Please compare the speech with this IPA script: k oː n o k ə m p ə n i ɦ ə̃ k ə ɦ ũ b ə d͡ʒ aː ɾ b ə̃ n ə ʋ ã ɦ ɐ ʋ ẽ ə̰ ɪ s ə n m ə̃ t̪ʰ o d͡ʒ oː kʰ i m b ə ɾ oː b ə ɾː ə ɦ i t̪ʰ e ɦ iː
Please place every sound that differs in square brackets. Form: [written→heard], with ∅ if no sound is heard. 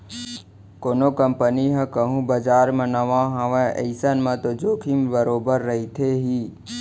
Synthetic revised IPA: k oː n o k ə m p ə n i ɦ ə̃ k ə ɦ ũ b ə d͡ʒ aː ɾ [b→m] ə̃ n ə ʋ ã ɦ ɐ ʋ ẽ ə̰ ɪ s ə n m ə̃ [t̪ʰ→t̪] o d͡ʒ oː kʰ i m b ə ɾ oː b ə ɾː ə ɦ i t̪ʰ e ɦ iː